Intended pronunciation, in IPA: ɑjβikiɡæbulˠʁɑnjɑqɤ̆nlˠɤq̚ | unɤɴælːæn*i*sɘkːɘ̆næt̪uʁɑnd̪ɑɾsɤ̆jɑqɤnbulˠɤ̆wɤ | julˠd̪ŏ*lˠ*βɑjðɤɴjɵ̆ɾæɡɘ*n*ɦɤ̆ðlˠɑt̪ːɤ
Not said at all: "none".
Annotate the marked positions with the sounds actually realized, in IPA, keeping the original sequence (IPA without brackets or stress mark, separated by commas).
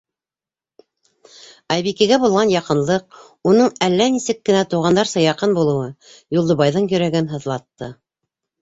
i, none, n